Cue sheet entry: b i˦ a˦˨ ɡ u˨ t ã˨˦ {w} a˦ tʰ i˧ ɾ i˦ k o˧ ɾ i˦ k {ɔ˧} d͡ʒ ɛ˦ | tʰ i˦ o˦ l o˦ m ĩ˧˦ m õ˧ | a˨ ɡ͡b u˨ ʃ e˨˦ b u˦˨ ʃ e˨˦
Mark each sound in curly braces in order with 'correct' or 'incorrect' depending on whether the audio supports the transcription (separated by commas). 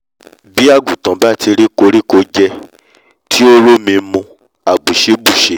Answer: incorrect, incorrect